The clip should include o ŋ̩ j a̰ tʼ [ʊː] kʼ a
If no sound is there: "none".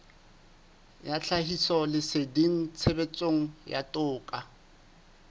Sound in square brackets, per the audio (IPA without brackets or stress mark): ʊː